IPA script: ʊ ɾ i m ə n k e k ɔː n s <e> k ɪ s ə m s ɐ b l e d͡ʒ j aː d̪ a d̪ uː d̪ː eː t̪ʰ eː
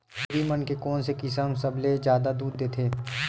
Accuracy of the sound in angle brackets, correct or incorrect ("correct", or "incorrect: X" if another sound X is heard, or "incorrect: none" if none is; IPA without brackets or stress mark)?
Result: correct